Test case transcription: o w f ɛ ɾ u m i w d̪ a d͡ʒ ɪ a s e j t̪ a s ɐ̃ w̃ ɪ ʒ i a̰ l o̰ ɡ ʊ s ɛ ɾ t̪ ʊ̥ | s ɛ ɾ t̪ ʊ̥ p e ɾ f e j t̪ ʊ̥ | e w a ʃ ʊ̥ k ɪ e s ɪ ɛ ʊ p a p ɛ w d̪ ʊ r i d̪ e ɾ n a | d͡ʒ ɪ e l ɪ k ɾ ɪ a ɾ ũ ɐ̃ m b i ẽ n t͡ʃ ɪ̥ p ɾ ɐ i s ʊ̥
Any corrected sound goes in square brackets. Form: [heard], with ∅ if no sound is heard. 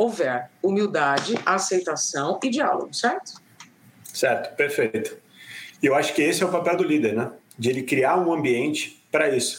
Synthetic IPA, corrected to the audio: o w [v] ɛ ɾ u m i w d̪ a d͡ʒ ɪ a s e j t̪ a s ɐ̃ w̃ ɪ [d͡ʒ] i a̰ l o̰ ɡ ʊ s ɛ ɾ t̪ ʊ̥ | s ɛ ɾ t̪ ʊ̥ p e ɾ f e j t̪ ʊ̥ | e w a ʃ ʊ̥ k ɪ e s ɪ ɛ ʊ p a p ɛ w d̪ ʊ [l] i d̪ e ɾ n [ɛ] | d͡ʒ ɪ e l ɪ k ɾ [i] a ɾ ũ ɐ̃ m b i ẽ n t͡ʃ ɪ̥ p ɾ ɐ i s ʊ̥